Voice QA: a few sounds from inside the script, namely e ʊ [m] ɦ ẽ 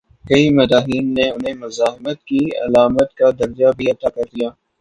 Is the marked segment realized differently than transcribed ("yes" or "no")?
yes